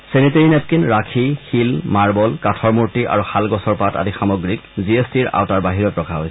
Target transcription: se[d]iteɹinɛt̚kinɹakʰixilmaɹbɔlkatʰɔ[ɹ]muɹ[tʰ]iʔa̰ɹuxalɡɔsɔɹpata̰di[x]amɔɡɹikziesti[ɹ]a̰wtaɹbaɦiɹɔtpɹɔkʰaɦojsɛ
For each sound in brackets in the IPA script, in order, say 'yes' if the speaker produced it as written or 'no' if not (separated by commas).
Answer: no, yes, no, yes, yes